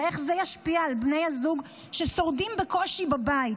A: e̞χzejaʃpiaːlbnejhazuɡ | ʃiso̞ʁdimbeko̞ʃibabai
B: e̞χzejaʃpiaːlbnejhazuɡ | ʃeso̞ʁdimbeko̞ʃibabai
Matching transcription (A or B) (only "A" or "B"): B